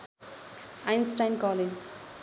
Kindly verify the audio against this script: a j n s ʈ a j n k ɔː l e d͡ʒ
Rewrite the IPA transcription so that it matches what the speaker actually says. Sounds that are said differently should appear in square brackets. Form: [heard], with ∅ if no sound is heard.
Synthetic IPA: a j n s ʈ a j n k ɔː l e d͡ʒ